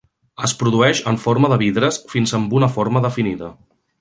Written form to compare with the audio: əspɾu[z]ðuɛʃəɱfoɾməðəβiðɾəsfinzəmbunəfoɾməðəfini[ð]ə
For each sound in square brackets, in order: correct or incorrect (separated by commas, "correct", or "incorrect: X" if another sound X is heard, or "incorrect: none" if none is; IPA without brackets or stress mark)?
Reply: incorrect: none, correct